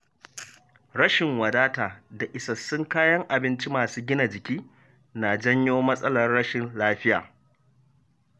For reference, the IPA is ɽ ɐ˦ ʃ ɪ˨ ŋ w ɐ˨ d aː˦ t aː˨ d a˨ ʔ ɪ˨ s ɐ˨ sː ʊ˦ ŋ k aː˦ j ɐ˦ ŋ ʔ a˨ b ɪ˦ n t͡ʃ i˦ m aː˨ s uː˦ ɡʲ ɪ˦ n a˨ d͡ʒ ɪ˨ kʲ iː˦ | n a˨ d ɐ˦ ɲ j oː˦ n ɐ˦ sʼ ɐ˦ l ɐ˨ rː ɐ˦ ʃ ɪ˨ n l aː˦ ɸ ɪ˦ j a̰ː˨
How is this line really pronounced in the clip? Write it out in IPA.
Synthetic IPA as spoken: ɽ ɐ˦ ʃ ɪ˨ ŋ w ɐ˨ d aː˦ t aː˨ d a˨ ʔ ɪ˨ s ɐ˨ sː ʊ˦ ŋ k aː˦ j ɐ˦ ŋ ʔ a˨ b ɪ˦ n t͡ʃ i˦ m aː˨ s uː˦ ɡʲ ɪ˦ n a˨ d͡ʒ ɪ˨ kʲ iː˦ | n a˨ d͡ʒ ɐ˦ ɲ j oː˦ m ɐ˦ sʼ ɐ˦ l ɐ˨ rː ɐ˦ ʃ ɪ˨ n l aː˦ ɸ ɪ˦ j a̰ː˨